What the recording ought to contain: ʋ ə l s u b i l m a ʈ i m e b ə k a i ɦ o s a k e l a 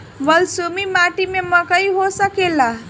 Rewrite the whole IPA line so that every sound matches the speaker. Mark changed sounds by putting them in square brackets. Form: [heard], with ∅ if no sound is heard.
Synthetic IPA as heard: ʋ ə l s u [m] i [∅] m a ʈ i m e [m] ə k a i ɦ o s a k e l a

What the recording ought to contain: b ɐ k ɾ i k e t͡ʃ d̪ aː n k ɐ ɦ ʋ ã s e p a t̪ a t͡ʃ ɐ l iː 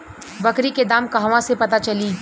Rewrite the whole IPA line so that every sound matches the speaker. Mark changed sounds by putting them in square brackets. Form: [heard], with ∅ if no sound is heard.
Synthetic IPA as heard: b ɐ k ɾ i k e [∅] d̪ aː [m] k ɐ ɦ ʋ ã s e p [ɐ] t̪ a t͡ʃ ɐ l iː

